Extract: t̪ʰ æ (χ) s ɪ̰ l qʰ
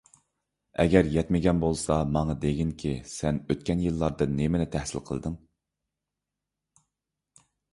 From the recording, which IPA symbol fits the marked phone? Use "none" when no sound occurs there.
h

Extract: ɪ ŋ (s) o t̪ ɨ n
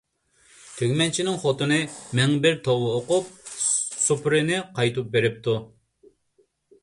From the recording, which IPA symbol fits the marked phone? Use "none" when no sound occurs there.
χ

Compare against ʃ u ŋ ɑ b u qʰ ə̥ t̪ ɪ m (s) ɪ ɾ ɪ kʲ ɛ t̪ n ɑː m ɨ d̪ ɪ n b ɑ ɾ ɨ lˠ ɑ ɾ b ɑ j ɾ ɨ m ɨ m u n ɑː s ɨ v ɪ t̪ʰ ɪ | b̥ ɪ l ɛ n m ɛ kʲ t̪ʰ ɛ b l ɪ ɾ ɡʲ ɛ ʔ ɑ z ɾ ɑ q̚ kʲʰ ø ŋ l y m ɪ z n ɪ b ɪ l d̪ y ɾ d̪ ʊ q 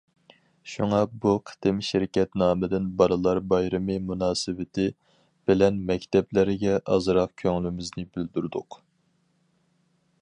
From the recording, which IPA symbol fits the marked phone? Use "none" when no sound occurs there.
ʃ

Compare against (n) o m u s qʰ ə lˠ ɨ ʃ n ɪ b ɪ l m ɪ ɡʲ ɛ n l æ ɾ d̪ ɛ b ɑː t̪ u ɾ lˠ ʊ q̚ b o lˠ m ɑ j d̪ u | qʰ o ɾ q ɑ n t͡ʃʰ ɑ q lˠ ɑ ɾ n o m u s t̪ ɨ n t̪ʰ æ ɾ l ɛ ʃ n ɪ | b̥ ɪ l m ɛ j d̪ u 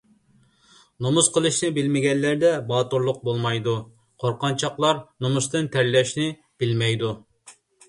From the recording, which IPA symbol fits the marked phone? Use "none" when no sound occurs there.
n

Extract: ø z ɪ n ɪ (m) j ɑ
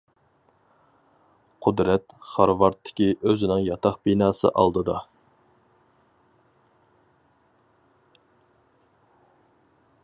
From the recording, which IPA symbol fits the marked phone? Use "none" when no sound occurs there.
ŋ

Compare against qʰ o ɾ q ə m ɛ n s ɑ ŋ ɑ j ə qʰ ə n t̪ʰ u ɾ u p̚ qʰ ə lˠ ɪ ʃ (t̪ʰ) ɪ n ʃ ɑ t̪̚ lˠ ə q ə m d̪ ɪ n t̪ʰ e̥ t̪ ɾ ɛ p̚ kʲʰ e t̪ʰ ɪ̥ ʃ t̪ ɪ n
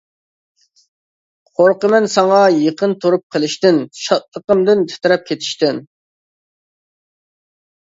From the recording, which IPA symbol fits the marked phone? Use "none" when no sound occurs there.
t̪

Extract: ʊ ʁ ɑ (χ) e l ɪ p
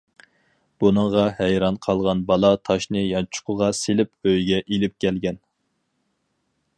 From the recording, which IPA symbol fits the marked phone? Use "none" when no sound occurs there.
s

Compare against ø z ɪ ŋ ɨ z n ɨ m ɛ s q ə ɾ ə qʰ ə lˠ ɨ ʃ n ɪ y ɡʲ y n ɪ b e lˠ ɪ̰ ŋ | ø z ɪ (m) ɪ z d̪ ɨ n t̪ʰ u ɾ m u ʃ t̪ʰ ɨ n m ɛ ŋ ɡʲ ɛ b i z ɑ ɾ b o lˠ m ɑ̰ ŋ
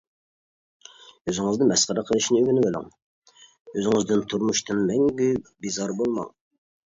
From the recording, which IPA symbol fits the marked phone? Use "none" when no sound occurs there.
ŋ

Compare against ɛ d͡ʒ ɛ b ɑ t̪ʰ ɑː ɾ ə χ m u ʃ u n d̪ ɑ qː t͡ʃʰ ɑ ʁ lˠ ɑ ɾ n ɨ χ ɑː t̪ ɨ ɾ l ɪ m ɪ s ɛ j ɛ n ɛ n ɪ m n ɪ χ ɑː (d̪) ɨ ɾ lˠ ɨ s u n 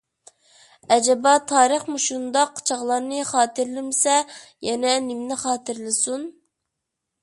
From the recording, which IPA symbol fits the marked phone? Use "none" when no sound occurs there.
t̪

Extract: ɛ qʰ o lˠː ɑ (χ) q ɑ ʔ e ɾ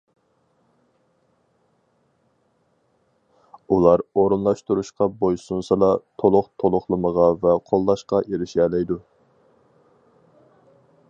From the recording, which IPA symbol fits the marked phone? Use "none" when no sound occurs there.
ʃ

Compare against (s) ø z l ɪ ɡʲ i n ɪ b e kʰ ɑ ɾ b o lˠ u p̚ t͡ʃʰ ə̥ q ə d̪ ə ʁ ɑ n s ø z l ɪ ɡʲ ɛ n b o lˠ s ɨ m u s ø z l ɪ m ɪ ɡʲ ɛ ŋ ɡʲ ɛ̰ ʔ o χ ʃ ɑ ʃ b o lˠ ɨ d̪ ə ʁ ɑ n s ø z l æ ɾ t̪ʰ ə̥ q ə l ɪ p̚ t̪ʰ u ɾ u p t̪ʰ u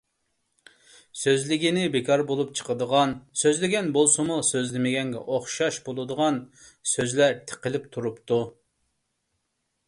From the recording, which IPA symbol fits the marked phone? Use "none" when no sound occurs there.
s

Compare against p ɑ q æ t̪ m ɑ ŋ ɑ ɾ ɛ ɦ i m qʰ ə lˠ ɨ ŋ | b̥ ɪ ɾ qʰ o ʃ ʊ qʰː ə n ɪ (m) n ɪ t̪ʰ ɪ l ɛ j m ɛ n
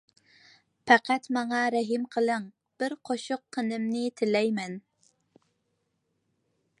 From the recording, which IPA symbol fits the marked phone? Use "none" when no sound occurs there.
m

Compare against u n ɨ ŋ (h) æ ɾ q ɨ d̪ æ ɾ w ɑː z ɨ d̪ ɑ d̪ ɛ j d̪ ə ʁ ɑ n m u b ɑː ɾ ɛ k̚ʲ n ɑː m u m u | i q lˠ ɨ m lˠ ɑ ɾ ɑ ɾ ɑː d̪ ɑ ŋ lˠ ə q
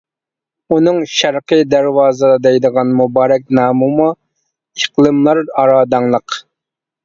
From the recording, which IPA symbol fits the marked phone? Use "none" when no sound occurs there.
ʃ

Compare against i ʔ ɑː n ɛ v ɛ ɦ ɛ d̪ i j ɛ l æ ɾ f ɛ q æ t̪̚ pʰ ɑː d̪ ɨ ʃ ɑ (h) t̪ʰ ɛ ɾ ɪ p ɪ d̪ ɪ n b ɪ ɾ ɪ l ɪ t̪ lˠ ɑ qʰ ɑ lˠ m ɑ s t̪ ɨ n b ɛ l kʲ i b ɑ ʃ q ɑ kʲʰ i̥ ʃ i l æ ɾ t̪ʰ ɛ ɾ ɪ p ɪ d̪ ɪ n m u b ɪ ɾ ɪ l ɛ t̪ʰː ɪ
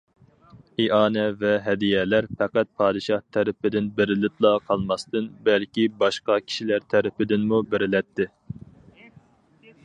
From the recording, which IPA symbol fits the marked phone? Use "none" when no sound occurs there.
h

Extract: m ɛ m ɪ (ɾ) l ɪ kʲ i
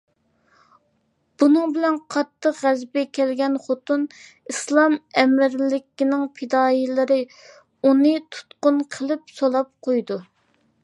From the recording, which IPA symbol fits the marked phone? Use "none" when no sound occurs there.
ɾ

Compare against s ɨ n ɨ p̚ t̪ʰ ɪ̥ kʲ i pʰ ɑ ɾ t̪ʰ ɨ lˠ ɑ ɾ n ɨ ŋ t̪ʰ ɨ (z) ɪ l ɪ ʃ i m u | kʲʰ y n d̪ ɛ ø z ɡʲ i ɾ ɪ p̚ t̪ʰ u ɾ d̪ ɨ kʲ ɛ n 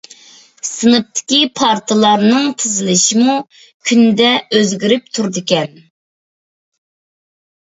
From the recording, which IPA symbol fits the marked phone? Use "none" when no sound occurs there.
z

